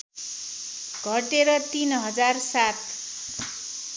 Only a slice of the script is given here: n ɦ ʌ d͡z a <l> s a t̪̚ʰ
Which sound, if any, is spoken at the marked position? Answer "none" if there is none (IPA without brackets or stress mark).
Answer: r